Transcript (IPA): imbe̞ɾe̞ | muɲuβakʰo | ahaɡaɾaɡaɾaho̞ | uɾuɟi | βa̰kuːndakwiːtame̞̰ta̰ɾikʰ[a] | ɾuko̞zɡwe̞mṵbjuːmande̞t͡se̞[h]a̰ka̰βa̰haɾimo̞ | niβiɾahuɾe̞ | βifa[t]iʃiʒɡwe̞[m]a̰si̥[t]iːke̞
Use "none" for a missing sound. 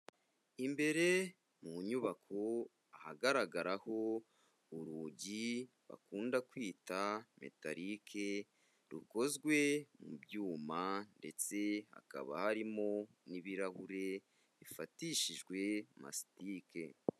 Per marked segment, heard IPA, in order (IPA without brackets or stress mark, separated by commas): e, h, t, m, t